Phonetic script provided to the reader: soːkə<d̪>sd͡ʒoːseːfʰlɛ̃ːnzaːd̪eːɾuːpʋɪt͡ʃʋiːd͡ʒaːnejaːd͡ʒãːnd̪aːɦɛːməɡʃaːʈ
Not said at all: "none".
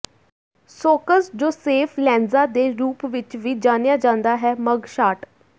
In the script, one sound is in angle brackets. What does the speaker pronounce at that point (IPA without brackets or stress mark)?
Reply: none